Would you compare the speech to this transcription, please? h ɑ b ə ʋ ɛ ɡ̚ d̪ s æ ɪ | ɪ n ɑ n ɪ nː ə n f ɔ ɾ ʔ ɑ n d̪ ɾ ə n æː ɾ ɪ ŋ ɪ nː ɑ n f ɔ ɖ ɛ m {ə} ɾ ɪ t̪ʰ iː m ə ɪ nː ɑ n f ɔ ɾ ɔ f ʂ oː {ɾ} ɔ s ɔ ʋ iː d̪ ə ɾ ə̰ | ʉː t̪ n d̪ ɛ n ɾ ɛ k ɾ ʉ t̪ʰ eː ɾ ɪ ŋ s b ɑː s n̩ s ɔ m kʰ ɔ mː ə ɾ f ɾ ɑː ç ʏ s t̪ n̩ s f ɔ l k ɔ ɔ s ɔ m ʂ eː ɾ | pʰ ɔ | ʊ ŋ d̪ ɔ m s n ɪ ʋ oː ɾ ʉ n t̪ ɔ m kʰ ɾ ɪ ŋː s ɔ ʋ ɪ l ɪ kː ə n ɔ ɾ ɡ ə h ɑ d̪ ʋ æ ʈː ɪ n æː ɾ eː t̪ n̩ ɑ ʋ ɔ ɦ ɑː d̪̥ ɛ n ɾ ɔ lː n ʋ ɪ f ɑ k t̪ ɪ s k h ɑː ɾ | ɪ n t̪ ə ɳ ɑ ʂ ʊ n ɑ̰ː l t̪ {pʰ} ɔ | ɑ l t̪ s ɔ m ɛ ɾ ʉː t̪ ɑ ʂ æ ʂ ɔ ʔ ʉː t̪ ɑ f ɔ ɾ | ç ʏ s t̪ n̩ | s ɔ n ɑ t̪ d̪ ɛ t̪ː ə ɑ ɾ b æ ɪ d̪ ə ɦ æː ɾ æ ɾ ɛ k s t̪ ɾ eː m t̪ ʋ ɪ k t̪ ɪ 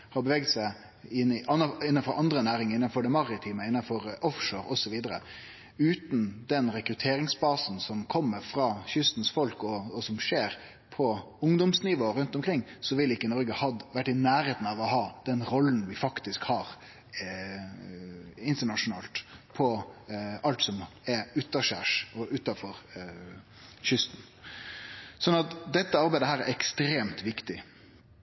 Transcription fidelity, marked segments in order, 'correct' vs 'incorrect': incorrect: ɑ, correct, correct

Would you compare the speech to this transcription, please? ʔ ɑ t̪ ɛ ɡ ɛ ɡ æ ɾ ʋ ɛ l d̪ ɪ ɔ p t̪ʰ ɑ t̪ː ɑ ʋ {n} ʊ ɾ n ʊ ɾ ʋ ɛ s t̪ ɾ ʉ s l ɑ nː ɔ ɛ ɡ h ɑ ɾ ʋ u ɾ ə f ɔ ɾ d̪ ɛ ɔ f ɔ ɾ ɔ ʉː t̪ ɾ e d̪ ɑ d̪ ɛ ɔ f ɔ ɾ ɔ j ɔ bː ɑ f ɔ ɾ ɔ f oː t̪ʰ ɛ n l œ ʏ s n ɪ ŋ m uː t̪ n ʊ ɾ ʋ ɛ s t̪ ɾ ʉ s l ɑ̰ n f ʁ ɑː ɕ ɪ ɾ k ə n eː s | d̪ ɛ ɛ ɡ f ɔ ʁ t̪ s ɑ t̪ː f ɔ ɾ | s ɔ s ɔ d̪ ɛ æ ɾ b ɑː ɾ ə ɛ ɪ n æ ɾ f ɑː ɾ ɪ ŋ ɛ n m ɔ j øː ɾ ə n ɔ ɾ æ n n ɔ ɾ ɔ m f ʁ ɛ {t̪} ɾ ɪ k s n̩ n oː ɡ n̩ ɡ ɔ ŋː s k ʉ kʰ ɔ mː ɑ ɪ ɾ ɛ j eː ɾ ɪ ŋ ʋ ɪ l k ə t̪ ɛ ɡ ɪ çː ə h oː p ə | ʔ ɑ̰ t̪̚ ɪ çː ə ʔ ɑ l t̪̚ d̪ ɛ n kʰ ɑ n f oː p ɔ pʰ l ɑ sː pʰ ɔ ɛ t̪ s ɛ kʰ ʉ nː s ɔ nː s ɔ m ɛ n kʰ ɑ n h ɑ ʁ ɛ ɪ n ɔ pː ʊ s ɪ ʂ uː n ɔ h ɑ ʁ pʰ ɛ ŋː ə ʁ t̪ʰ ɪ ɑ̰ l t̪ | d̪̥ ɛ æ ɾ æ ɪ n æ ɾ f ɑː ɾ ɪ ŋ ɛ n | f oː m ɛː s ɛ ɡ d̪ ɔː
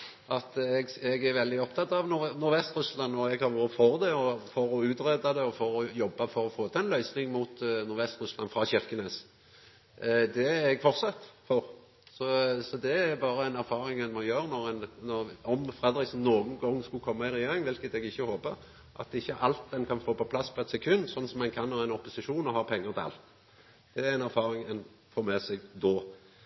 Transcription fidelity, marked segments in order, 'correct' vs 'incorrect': correct, incorrect: d̪

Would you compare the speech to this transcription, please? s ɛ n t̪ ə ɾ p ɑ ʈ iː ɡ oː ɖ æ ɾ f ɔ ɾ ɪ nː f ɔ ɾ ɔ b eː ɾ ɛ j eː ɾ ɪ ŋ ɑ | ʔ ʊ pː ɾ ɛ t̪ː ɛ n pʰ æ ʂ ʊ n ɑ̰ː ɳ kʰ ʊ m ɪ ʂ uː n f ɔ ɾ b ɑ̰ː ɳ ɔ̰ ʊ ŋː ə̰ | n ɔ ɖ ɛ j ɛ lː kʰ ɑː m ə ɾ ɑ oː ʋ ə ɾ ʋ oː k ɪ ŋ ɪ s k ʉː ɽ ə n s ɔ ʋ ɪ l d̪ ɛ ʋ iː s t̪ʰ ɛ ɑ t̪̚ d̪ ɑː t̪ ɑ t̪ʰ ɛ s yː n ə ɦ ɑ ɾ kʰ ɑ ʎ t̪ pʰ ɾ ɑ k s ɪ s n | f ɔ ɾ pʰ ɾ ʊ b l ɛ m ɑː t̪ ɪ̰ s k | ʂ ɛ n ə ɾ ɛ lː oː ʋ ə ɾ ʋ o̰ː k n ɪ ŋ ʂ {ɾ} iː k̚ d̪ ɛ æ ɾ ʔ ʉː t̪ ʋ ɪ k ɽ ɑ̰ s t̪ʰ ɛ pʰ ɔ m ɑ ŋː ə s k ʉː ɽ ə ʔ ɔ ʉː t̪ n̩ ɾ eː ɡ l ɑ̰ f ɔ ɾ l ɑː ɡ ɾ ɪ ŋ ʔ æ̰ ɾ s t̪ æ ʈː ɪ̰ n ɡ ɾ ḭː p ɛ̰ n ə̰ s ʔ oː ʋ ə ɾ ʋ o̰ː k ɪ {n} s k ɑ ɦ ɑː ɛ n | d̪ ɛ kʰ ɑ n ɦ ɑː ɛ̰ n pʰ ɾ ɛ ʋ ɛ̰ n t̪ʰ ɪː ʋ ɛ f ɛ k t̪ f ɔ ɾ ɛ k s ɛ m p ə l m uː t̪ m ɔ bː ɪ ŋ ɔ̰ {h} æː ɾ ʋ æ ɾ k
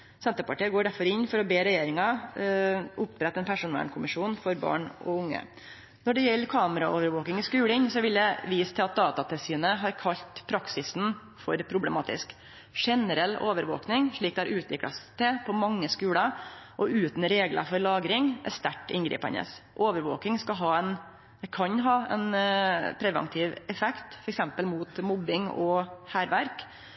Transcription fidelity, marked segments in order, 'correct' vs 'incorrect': incorrect: ɭ, incorrect: ŋ, correct

